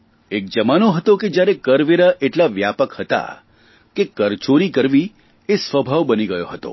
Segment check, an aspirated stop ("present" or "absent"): absent